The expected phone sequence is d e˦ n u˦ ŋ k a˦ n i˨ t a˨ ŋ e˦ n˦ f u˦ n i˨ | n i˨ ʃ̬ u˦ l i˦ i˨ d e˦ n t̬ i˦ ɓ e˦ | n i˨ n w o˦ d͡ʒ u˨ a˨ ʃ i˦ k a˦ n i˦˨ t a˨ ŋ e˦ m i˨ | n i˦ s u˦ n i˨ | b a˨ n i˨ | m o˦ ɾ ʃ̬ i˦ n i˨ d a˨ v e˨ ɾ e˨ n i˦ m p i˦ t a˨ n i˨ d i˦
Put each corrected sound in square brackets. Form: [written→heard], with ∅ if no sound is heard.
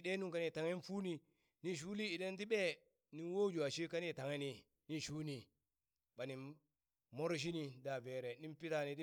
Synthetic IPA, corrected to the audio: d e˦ n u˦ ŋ k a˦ n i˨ t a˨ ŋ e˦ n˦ f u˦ n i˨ | n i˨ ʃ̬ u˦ l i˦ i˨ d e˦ n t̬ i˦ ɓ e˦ | n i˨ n w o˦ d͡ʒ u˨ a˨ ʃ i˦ k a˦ n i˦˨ t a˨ ŋ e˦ [m→n] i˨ | n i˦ [s→ʃ] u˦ n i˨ | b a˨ n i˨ | m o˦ ɾ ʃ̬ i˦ n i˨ d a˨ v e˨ ɾ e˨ n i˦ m p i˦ t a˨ n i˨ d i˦